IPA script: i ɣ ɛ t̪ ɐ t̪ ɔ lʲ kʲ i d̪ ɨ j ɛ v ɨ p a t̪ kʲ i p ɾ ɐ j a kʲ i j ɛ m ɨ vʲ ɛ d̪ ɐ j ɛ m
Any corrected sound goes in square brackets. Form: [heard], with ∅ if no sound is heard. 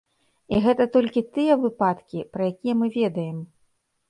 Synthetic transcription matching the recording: i ɣ ɛ t̪ ɐ t̪ ɔ lʲ kʲ i [t̪] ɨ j ɛ v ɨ p a t̪ kʲ i p ɾ ɐ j a kʲ i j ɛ m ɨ vʲ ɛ d̪ ɐ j ɛ m